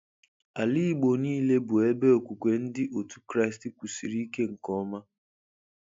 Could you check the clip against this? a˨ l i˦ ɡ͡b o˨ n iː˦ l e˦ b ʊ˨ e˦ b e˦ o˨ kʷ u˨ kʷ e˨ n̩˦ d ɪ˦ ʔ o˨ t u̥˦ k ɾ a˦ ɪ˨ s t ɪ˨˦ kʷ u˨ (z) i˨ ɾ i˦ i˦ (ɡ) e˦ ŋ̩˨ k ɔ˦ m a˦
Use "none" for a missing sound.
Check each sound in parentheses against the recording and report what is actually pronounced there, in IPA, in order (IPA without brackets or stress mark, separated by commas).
s, k